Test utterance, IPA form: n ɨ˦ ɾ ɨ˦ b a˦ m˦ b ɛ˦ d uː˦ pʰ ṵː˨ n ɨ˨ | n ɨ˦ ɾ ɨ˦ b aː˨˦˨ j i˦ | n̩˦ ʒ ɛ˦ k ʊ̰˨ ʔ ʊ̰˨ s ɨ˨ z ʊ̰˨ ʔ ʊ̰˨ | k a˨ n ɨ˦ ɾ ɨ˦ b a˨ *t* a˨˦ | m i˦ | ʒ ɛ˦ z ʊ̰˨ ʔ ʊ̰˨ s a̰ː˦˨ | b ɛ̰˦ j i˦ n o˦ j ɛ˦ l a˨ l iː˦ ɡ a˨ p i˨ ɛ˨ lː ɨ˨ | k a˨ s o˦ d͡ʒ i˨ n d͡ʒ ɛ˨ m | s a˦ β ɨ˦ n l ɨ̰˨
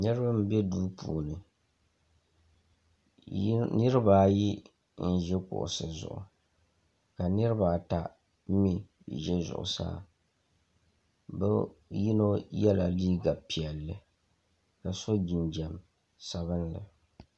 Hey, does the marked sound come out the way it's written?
yes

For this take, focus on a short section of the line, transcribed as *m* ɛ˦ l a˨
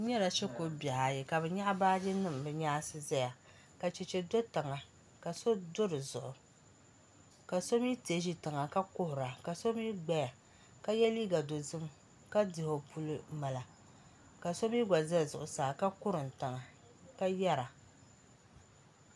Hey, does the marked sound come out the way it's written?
no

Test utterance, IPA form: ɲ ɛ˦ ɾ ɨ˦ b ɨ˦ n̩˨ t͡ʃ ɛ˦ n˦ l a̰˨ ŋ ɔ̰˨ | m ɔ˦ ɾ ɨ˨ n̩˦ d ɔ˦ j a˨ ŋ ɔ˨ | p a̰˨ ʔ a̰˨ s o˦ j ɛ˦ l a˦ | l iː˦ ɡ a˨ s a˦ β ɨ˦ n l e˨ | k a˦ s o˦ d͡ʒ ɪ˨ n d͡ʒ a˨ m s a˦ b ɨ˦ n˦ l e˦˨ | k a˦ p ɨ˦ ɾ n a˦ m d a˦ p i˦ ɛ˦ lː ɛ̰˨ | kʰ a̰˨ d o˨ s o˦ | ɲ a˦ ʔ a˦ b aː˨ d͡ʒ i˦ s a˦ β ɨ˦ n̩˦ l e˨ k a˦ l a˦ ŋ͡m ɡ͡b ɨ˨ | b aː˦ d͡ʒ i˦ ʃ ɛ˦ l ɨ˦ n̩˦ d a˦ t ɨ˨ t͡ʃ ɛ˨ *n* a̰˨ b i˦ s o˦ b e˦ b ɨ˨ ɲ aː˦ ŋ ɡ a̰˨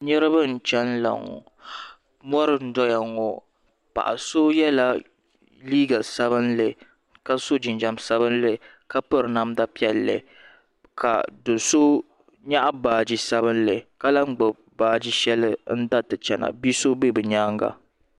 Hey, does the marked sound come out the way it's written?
yes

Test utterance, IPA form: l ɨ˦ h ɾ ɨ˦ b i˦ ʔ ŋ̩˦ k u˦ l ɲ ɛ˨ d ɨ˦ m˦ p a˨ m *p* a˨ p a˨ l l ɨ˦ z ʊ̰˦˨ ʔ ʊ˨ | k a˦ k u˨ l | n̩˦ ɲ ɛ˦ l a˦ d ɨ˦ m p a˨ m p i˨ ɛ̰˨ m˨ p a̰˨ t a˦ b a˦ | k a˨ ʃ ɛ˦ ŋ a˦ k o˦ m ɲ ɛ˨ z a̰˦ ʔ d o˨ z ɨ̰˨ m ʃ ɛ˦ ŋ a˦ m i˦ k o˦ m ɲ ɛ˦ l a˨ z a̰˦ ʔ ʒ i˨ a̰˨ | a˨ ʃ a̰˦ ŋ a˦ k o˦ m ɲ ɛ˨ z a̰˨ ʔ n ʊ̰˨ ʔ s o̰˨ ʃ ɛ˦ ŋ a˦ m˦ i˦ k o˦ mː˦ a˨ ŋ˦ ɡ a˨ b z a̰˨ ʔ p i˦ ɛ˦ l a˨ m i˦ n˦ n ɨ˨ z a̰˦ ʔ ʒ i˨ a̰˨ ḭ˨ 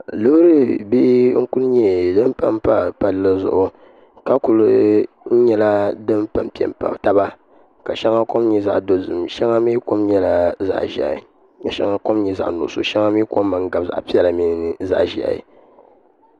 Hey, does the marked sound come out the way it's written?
yes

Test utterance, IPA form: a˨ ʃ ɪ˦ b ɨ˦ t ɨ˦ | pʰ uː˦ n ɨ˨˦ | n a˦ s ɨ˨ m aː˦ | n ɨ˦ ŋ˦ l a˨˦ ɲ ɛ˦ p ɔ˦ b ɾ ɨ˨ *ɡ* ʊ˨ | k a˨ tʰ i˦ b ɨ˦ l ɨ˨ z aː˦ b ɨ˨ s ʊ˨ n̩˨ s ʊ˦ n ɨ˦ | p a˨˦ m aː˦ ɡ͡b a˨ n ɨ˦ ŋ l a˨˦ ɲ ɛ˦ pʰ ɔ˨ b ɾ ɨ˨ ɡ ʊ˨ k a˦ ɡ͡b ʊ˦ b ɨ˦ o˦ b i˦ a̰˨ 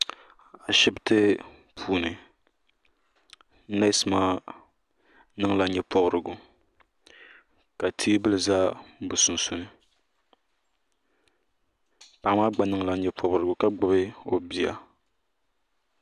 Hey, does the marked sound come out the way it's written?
yes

